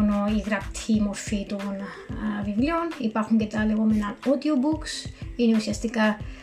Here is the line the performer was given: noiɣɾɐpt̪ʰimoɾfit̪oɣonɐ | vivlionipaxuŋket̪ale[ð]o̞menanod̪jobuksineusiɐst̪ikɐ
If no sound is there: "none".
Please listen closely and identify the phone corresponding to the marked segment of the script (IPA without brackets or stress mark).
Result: ɣ